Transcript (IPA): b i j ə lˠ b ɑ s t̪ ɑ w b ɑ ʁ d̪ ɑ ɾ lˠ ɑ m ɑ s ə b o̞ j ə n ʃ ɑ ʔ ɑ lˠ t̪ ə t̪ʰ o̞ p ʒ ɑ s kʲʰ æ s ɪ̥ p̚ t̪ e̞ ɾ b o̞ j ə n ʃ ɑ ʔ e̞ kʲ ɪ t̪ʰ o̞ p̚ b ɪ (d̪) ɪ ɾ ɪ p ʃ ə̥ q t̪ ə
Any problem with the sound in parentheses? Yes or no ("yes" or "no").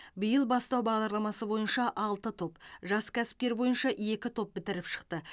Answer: yes